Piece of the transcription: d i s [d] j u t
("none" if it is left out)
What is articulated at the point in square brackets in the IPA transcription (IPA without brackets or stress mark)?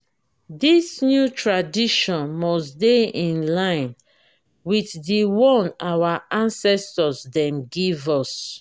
n